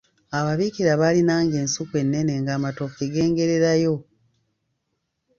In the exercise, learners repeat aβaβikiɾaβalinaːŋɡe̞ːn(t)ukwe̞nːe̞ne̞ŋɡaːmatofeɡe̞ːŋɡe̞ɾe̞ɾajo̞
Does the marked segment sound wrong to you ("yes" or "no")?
yes